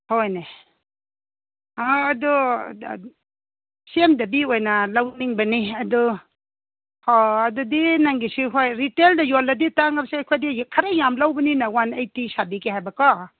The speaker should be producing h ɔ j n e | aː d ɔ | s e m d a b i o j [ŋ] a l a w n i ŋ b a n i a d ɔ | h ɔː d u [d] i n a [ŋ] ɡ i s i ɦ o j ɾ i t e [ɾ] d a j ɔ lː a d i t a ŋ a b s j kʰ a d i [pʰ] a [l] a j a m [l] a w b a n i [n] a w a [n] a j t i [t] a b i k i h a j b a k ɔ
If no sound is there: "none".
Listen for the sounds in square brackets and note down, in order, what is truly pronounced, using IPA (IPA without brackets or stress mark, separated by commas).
n, d, ŋ, l, kʰ, ɾ, l, n, n, s